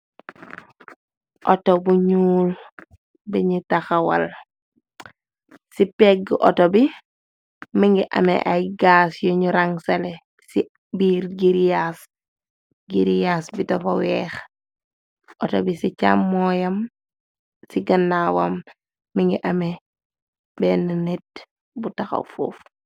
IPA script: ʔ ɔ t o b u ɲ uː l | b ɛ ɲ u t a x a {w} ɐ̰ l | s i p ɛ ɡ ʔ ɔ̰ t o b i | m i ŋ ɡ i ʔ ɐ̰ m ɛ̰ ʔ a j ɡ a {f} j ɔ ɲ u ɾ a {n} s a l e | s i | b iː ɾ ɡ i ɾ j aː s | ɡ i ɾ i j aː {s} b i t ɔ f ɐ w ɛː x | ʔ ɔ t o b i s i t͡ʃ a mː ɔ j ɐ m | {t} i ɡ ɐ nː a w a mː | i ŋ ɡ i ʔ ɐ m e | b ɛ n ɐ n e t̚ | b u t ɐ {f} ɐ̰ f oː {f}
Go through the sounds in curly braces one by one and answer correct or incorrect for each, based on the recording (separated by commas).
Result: correct, incorrect, incorrect, correct, incorrect, incorrect, correct